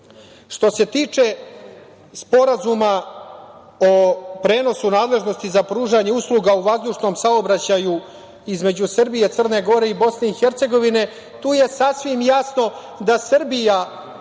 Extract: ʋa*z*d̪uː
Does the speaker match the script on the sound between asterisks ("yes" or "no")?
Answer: yes